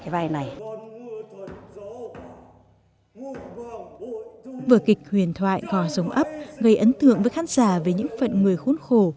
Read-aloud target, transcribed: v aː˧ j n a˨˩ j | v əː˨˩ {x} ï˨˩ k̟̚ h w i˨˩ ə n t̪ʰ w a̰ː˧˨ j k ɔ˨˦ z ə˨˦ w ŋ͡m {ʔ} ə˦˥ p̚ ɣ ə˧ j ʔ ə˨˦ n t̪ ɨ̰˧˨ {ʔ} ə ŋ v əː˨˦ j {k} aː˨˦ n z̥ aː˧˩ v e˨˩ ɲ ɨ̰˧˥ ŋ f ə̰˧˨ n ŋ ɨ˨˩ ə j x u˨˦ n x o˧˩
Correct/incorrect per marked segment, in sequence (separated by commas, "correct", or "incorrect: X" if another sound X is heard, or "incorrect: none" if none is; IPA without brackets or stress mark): incorrect: k, correct, incorrect: none, incorrect: x